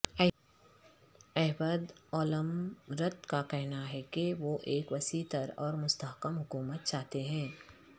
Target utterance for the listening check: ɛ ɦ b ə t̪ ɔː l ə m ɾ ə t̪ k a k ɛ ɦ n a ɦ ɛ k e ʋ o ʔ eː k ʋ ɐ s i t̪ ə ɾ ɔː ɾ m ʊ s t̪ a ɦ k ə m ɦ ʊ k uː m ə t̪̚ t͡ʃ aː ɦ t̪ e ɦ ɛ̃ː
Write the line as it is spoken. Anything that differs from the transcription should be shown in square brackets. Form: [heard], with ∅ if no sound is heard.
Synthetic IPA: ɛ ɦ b ə [d̪] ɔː l ə m ɾ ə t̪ k a k ɛ ɦ n a ɦ ɛ k e ʋ o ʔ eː k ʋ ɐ s i t̪ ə ɾ ɔː ɾ m ʊ s t̪ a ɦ k ə m ɦ ʊ k uː m ə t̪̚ t͡ʃ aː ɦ t̪ e ɦ ɛ̃ː